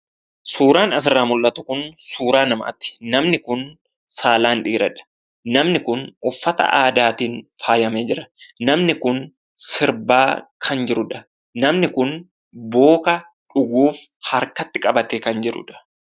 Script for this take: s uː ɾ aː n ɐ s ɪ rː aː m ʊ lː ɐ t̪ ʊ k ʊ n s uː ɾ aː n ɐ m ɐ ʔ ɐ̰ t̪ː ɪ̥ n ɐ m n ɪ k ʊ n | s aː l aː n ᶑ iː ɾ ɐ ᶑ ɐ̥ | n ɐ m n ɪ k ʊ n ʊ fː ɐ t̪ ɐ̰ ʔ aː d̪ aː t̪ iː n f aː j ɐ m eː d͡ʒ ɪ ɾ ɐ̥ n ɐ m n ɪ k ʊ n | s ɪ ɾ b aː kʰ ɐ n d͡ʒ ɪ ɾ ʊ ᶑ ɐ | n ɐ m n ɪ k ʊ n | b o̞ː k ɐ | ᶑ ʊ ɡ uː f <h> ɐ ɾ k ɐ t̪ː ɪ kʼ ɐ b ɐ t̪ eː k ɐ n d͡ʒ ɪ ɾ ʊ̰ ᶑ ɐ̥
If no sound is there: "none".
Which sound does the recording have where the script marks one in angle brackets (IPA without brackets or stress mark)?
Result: h